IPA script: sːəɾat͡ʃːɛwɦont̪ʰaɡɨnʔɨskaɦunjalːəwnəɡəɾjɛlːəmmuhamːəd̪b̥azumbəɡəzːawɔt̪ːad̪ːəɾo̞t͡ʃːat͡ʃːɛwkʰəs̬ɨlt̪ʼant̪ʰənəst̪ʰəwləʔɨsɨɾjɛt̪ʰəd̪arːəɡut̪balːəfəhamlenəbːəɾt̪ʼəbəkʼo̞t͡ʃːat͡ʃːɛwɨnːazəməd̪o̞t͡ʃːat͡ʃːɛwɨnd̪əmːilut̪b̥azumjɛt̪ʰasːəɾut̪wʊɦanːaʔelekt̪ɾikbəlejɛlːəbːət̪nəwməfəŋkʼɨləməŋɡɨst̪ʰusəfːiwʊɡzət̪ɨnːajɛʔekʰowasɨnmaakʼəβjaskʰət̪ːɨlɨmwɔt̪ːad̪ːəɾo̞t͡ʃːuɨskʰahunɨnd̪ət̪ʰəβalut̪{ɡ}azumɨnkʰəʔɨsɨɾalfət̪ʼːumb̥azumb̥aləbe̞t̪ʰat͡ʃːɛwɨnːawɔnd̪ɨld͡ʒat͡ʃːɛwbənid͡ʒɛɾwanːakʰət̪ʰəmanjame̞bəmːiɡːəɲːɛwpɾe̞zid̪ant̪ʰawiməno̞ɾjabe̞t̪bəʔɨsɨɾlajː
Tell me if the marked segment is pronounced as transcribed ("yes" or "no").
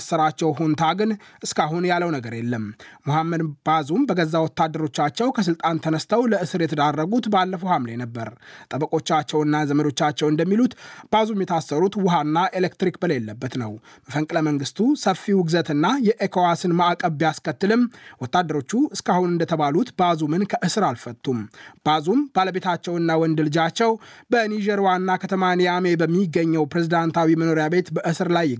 no